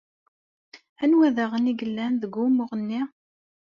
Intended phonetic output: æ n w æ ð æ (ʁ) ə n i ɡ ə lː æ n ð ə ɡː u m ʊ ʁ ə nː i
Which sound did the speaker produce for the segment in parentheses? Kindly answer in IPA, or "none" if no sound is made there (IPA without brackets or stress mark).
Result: ʁ